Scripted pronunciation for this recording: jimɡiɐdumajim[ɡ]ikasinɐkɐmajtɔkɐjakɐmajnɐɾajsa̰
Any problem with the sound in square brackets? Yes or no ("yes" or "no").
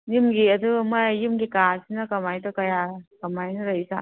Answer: no